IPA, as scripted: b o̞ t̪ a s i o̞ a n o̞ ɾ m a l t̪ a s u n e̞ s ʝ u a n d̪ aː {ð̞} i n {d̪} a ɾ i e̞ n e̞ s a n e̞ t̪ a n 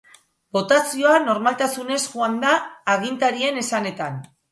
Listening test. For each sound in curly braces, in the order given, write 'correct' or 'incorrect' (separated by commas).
incorrect, incorrect